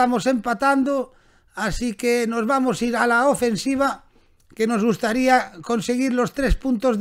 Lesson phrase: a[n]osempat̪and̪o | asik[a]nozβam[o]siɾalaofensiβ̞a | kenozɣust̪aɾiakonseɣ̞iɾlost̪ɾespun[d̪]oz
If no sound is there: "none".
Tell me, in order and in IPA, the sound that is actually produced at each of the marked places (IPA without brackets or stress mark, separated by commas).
m, e, o, t̪